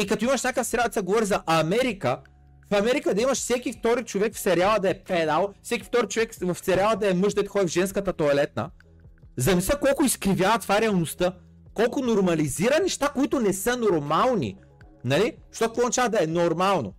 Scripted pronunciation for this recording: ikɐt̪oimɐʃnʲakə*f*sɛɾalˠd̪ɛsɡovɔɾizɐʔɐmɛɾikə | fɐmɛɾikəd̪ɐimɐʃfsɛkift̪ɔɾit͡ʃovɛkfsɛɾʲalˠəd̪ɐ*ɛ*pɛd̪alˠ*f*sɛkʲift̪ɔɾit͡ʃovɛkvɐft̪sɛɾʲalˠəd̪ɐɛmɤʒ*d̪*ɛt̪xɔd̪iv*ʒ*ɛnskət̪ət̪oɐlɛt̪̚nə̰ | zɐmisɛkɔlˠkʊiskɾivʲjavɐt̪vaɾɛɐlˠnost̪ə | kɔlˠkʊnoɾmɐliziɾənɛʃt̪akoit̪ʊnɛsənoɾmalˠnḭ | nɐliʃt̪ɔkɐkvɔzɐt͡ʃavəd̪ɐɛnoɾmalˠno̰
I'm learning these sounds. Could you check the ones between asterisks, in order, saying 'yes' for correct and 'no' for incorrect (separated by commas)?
yes, yes, yes, yes, yes